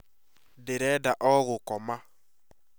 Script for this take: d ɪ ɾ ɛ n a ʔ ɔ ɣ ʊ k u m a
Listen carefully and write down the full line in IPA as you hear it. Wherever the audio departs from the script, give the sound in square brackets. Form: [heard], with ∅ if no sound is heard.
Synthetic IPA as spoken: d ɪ ɾ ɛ [d] a ʔ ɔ ɣ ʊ k [ɔ] m a